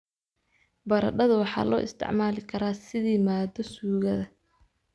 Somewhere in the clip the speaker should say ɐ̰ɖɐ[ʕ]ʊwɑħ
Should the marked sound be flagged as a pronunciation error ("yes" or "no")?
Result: yes